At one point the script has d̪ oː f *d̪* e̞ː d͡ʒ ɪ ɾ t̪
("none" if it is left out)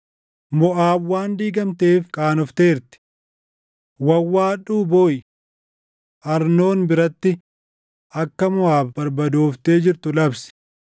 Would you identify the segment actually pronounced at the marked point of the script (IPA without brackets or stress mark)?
t̪